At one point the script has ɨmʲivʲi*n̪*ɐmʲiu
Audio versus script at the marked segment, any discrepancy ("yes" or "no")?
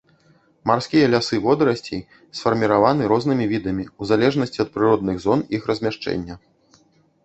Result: yes